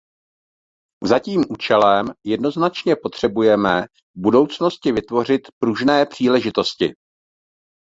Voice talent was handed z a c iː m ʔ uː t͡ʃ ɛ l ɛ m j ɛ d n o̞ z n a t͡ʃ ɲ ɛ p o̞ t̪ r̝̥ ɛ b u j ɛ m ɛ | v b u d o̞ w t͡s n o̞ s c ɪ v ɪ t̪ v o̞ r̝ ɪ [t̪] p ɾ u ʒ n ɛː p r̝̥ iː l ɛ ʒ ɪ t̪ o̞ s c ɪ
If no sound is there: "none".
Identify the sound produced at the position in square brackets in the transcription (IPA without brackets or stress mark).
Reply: t̪